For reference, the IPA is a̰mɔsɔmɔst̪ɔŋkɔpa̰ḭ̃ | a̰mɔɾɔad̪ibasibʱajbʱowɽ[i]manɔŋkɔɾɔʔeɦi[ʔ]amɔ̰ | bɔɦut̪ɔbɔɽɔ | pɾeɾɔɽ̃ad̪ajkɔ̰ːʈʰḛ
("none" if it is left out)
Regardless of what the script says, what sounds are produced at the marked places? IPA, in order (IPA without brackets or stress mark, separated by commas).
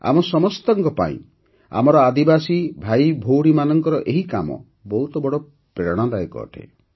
i, k